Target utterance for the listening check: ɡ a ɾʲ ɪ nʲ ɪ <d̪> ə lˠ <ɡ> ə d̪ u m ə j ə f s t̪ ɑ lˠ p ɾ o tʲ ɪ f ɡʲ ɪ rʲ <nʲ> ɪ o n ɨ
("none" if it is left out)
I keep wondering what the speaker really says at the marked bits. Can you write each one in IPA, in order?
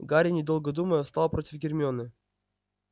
d̪, ɡ, mʲ

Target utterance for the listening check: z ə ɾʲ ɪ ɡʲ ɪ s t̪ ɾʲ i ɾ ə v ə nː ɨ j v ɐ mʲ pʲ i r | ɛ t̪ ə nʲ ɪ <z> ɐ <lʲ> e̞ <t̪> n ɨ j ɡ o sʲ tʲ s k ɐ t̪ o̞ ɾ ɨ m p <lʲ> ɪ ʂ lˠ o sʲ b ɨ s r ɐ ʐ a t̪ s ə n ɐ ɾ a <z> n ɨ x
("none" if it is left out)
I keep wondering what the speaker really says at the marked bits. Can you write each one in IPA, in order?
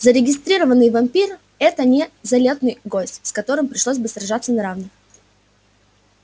z, lʲ, t̪, ɾʲ, v

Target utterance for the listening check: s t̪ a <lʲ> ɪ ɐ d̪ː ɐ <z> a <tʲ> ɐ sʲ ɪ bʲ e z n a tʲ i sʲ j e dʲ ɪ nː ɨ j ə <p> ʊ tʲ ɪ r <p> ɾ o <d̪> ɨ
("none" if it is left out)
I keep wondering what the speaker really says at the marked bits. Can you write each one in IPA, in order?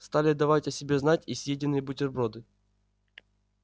lʲ, v, tʲ, b, b, d̪

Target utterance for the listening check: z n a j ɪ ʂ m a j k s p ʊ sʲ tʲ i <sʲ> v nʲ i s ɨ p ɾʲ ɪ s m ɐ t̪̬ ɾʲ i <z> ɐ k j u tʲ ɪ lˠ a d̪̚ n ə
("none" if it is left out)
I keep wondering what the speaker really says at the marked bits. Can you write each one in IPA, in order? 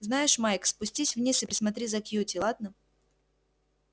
sʲ, z

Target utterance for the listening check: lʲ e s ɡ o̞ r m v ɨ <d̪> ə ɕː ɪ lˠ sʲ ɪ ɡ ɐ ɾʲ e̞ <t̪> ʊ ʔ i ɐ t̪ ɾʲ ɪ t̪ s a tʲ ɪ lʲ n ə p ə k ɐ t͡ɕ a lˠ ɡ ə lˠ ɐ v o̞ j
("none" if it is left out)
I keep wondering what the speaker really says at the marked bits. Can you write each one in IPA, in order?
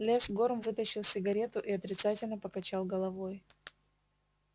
t̪, t̪

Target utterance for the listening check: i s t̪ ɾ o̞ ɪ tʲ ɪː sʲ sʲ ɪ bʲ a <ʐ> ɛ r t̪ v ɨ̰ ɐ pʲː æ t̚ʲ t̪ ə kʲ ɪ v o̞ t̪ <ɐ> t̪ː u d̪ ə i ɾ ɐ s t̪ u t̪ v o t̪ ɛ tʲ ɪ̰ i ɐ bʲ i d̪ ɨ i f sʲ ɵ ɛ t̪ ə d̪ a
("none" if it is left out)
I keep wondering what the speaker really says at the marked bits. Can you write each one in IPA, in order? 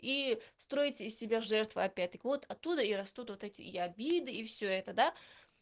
ʐ, ɐ

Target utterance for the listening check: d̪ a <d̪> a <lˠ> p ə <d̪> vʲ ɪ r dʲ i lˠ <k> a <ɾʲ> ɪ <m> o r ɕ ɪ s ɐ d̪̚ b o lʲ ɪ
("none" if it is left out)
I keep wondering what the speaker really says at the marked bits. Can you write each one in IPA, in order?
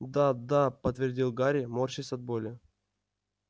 d̪, none, t̪, ɡ, ɾʲ, m

